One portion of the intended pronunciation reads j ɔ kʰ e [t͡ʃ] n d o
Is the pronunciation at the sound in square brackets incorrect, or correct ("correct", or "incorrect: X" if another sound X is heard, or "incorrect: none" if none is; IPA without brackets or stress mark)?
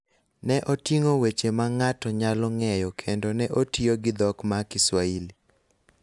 incorrect: none